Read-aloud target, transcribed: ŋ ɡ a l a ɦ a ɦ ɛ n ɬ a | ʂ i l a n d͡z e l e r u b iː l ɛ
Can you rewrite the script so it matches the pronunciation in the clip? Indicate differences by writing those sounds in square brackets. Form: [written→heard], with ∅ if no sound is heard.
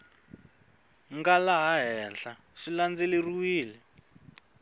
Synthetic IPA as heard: ŋ ɡ a l a ɦ a ɦ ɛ n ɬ a | ʂ i l a n d͡z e l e r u [b→w] iː l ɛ